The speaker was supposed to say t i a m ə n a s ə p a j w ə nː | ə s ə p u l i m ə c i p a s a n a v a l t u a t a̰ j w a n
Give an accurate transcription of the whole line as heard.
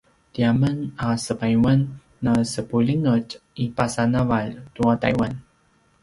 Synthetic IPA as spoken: t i a m ə n a s ə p a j w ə nː | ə s ə p u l i ŋ ə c i p a s a n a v a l t u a t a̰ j w a n

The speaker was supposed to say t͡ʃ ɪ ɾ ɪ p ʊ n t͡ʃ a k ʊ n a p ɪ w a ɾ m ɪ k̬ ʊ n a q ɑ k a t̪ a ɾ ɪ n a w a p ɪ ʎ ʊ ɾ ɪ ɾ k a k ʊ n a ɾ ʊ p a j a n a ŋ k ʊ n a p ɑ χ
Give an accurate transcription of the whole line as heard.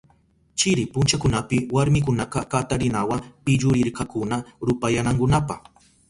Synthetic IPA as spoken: t͡ʃ ɪ ɾ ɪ p ʊ n t͡ʃ a k ʊ n a p ɪ w a ɾ m ɪ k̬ ʊ n a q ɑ k a t̪ a ɾ ɪ n a w a p ɪ ʎ ʊ ɾ ɪ ɾ k a k ʊ n a ɾ ʊ p a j a n a ŋ k ʊ n a p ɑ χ

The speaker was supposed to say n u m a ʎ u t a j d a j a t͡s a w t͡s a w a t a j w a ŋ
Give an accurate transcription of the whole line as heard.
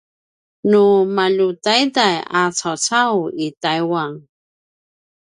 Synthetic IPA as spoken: n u m a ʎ u t a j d a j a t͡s a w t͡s a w i t a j w a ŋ

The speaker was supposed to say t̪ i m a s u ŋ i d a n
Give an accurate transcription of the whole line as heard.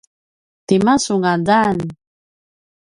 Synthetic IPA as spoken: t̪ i m a s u ŋ a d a n

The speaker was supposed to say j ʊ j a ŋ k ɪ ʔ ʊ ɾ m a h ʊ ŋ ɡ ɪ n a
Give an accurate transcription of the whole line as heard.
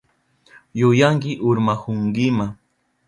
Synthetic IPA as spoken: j ʊ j a ŋ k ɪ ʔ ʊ ɾ m a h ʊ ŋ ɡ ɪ m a

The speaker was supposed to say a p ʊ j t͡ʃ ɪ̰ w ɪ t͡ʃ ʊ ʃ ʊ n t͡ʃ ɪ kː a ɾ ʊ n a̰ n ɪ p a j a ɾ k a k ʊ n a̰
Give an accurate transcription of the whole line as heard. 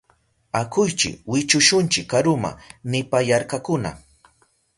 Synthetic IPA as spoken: a k ʊ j t͡ʃ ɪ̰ w ɪ t͡ʃ ʊ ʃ ʊ n t͡ʃ ɪ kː a ɾ ʊ m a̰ n ɪ p a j a ɾ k a k ʊ n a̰

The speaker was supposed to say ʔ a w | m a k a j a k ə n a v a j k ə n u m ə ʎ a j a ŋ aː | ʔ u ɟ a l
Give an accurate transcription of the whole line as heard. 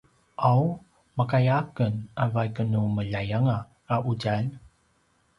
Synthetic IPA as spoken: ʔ a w | m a k a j a k ə n a v a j k ə n u m ə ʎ a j a ŋ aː | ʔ u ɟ a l

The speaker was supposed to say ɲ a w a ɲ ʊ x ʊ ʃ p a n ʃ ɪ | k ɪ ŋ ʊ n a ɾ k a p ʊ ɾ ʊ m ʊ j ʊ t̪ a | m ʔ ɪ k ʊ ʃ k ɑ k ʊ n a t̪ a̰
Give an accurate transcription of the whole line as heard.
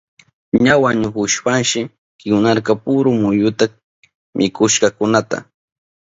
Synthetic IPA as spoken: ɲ a w a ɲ ʊ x ʊ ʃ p a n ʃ ɪ | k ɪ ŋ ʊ n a ɾ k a p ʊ ɾ ʊ m ʊ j ʊ t̪ a | m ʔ ɪ k ʊ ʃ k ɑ k ʊ n a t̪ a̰

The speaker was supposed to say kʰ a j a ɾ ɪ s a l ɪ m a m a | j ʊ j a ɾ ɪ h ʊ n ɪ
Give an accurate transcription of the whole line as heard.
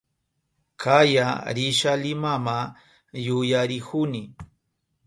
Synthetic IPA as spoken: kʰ a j a ɾ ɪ ʃ a l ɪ m a m a | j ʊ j a ɾ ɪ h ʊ n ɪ

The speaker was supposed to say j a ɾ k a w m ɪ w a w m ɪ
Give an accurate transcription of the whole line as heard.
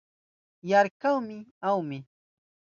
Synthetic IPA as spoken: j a ɾ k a w m ɪ a w m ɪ

